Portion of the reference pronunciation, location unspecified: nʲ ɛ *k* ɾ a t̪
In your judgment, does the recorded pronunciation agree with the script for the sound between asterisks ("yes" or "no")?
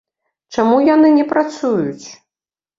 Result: no